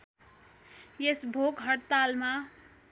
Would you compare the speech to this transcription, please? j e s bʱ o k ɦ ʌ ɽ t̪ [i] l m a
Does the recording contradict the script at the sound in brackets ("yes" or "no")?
yes